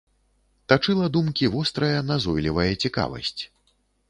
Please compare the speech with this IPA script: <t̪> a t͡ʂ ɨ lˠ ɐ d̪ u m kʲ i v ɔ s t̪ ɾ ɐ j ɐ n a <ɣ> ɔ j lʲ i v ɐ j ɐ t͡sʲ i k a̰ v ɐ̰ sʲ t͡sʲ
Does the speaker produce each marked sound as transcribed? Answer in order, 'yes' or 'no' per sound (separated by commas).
yes, no